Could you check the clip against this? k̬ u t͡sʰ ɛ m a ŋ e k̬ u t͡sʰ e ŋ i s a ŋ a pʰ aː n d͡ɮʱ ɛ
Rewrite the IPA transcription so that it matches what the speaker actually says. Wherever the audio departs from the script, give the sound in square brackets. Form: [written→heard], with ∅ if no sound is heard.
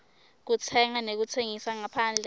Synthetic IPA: k̬ u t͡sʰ ɛ [m→ŋ] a [ŋ→n] e k̬ u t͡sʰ e ŋ i s a ŋ a pʰ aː n d͡ɮʱ ɛ